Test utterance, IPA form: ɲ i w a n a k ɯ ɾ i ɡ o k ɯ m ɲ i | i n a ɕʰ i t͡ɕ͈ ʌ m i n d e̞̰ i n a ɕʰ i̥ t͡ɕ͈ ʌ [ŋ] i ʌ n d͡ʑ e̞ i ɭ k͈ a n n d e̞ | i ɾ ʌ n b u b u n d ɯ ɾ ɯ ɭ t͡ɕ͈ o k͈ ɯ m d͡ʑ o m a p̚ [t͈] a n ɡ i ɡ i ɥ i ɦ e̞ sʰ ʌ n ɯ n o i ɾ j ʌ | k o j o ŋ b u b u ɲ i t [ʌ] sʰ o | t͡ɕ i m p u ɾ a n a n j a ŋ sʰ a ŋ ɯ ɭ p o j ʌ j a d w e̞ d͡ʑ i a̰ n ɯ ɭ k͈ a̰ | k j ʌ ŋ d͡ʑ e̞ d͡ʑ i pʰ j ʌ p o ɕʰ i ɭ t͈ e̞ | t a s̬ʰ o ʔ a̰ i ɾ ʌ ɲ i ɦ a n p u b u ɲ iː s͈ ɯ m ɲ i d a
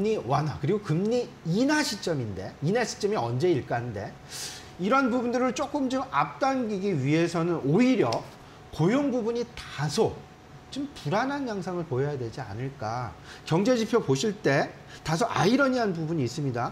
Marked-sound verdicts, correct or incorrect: incorrect: m, correct, incorrect: a

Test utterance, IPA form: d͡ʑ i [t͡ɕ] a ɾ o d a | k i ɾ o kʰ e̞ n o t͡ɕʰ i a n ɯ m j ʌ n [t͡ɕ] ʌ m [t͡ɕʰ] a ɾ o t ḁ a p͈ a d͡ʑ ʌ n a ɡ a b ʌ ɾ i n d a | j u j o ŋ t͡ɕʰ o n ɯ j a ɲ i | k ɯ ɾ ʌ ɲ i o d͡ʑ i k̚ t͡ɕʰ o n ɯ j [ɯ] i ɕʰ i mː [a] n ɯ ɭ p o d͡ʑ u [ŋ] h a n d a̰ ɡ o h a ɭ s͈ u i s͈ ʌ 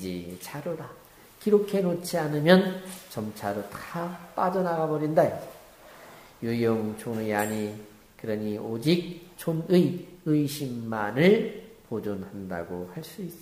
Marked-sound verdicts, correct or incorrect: incorrect: t͡ɕʰ, correct, correct, correct, correct, incorrect: n

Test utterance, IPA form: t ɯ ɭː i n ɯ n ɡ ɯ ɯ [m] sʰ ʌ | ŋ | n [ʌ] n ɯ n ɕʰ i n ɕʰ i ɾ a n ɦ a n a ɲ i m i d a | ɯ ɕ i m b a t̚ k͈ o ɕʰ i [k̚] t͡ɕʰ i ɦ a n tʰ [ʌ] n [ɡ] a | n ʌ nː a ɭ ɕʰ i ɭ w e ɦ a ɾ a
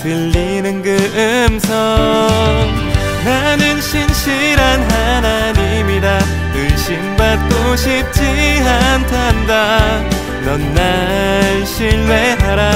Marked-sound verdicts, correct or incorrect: correct, incorrect: a, incorrect: p̚, incorrect: a, incorrect: d

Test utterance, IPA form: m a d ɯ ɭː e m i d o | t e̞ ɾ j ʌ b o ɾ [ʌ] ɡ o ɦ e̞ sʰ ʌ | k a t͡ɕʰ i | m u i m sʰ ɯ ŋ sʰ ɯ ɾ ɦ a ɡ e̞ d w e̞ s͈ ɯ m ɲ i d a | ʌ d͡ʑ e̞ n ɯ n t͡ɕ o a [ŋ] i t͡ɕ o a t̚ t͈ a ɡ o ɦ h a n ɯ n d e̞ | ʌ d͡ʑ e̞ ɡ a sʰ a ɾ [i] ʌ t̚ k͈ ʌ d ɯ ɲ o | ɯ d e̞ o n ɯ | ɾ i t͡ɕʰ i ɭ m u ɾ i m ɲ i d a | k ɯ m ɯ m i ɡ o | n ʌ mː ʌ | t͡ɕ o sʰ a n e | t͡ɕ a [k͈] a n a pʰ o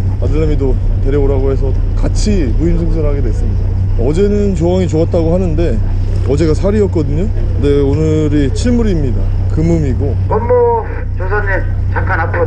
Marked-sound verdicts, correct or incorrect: incorrect: a, correct, correct, correct

